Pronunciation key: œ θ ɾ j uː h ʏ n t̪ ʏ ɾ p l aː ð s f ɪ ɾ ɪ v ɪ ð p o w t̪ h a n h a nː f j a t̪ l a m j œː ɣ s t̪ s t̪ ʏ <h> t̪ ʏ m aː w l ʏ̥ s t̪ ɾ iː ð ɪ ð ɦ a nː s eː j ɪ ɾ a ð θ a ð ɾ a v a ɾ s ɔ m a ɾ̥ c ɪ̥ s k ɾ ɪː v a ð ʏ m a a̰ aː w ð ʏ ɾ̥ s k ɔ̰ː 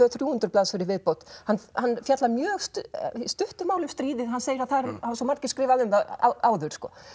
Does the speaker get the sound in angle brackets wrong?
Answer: no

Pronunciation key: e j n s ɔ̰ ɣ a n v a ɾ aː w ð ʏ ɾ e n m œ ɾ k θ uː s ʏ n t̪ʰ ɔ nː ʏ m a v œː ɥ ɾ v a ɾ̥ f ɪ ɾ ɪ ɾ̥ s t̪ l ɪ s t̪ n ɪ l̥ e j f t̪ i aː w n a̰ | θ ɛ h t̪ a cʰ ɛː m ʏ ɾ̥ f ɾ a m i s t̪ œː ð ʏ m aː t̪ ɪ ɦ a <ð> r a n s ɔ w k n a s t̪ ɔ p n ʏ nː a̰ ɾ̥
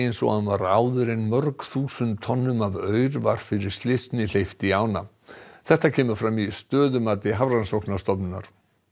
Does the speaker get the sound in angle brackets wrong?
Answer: yes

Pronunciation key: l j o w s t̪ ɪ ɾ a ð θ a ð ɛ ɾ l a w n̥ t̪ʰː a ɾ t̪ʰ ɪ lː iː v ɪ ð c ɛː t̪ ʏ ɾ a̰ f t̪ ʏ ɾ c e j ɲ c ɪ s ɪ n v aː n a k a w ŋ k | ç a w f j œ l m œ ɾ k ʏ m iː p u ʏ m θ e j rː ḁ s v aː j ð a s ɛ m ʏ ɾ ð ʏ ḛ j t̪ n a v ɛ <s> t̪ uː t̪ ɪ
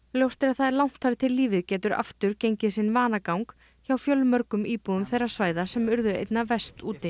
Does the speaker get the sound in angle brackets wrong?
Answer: no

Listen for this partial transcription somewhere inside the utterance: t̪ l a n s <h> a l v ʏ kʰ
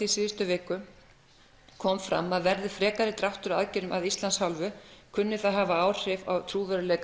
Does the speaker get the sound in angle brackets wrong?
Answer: no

